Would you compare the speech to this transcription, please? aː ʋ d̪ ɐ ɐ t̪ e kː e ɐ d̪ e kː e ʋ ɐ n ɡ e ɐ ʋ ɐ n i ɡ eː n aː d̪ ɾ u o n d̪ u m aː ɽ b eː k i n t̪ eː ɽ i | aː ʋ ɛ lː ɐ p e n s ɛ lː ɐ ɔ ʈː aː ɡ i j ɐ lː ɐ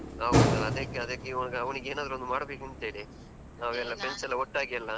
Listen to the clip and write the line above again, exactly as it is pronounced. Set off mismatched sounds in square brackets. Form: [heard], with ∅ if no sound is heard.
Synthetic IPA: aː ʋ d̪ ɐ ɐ [d̪] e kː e ɐ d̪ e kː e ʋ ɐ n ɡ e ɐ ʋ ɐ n i ɡ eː n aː d̪ ɾ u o n d̪ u m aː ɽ b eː k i n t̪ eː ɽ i | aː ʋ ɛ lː ɐ p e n s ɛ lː ɐ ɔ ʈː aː ɡ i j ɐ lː ɐ